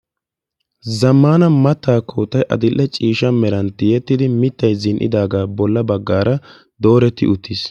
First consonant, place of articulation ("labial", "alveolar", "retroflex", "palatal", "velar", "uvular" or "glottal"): alveolar